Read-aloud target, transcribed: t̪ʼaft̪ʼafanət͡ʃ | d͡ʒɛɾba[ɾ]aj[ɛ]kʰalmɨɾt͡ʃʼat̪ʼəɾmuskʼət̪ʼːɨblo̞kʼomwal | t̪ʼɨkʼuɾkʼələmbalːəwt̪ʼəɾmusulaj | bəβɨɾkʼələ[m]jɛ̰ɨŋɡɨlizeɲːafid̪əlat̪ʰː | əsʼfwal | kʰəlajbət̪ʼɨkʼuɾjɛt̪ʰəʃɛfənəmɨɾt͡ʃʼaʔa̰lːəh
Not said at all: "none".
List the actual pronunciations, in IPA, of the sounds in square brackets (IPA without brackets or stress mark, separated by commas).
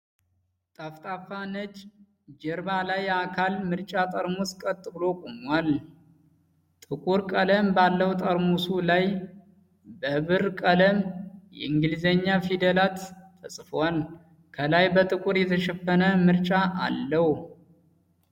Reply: l, a, m